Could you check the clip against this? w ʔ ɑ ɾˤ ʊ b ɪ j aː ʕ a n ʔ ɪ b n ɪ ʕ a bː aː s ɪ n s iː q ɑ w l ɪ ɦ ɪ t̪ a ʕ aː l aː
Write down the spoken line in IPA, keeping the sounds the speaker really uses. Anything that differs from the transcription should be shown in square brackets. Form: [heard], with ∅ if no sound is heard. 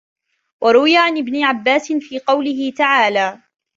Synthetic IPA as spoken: w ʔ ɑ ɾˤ ʊ [w] ɪ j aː ʕ a n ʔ ɪ b n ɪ ʕ a bː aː s ɪ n [f] iː q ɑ w l ɪ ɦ ɪ t̪ a ʕ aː l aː